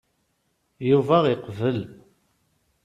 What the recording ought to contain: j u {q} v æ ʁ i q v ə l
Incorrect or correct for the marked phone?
incorrect: none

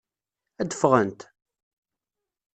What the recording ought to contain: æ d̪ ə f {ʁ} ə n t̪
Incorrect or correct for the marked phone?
correct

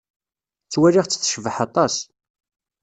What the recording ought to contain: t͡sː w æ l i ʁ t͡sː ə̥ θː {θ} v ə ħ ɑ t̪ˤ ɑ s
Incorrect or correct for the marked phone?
incorrect: ʃ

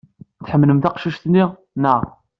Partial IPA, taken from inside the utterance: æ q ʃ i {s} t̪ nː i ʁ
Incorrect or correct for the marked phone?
incorrect: ʃ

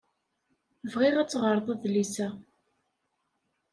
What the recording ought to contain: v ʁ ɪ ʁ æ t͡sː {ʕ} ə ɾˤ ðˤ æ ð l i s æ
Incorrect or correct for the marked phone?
incorrect: ʁ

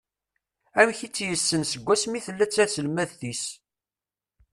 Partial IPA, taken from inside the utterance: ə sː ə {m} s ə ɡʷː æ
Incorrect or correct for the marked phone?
incorrect: n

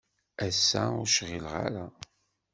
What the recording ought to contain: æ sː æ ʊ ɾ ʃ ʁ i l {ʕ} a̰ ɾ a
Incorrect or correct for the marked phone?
incorrect: ʁ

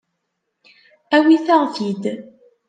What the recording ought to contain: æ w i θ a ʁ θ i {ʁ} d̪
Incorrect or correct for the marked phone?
incorrect: none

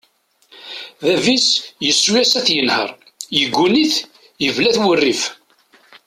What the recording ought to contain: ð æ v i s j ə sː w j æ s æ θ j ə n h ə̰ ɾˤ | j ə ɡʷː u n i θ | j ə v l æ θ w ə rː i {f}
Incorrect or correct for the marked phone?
correct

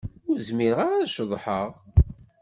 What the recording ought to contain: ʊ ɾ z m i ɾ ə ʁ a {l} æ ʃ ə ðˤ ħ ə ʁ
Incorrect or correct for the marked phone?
incorrect: ɾ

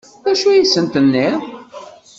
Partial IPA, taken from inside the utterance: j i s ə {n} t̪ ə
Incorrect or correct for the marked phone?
correct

